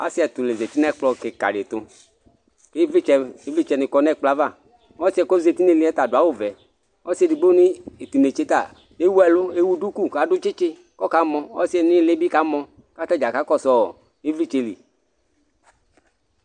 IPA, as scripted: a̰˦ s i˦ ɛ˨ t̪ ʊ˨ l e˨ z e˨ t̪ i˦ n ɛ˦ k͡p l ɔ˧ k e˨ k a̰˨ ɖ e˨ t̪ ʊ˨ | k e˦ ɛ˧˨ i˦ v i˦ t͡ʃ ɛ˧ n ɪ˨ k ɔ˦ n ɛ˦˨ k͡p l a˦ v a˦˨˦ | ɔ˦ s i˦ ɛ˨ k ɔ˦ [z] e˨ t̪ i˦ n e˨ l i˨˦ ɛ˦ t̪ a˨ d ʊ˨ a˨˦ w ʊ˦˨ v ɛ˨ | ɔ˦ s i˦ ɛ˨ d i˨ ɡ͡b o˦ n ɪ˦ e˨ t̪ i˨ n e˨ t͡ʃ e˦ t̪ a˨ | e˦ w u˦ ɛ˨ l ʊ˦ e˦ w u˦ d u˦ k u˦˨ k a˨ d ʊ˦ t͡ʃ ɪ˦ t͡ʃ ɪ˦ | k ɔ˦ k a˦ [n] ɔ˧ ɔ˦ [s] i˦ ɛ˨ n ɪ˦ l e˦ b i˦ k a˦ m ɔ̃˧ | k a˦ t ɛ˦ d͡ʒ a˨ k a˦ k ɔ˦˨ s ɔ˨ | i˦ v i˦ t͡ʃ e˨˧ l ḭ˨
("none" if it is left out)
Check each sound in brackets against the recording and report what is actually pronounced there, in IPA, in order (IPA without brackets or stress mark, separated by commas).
z, m, s